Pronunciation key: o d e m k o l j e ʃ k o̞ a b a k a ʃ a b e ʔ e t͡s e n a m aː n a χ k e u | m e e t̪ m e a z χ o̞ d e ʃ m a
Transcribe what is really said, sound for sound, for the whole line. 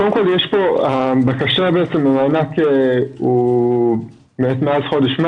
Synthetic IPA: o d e m k o l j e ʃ p o̞ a b a k a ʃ a b e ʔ e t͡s e m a m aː n a k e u | m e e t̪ m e a z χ o̞ d e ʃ m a